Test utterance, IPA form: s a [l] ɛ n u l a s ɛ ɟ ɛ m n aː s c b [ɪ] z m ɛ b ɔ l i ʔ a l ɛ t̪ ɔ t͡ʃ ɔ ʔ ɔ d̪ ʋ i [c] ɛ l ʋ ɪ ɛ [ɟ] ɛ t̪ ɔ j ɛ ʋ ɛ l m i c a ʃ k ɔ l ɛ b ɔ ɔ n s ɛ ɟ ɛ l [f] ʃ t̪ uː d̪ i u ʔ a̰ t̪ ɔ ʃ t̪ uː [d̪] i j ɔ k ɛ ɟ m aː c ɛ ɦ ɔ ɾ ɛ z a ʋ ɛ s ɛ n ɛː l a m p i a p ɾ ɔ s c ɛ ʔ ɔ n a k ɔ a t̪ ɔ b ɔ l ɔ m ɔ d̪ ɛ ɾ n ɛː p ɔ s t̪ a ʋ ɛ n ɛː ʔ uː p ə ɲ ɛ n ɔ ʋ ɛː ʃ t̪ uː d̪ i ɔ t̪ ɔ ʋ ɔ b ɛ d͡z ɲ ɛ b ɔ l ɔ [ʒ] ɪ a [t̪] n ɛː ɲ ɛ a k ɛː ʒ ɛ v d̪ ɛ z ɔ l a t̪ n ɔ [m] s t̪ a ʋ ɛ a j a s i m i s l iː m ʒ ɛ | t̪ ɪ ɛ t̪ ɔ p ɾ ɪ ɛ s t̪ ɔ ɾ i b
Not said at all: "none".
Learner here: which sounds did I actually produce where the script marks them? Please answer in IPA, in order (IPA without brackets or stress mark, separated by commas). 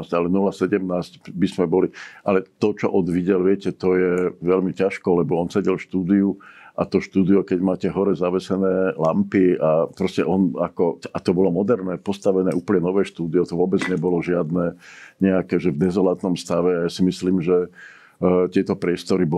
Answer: l, i, ɟ, c, f, d̪, ʒ, d̪, m